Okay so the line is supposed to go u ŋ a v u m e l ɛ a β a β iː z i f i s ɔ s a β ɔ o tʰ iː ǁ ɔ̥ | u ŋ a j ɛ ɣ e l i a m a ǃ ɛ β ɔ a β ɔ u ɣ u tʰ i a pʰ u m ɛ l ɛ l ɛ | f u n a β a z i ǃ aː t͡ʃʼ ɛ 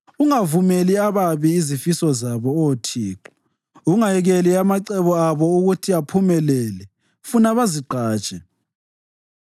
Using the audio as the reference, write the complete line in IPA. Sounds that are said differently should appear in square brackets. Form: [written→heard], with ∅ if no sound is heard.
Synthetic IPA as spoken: u ŋ a v u m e l [ɛ→i] a β a β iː z i f i s ɔ [s→z] a β ɔ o tʰ iː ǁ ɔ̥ | u ŋ a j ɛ ɣ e l i a m a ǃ ɛ β ɔ a β ɔ u ɣ u tʰ i a pʰ u m ɛ l ɛ l ɛ | f u n a β a z i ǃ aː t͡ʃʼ ɛ